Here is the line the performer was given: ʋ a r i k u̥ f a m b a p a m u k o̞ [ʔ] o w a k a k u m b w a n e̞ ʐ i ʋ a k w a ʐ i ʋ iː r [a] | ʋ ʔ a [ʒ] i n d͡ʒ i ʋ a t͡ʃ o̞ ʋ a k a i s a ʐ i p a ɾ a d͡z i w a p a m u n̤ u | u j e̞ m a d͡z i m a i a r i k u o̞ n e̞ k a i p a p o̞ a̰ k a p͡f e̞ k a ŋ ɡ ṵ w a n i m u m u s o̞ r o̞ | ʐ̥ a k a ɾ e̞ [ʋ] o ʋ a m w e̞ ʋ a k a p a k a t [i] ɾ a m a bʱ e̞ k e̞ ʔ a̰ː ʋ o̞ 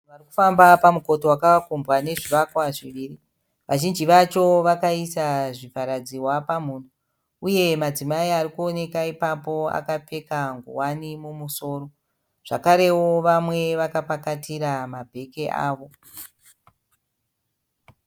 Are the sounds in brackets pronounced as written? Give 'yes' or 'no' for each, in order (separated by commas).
no, no, yes, no, yes